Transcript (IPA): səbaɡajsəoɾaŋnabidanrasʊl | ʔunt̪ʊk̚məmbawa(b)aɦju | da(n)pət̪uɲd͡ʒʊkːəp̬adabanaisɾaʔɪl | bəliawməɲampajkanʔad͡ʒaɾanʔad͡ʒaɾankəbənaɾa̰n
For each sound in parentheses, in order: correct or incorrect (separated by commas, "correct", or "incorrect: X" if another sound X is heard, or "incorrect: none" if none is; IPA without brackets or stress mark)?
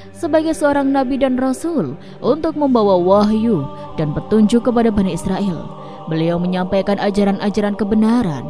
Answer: incorrect: w, correct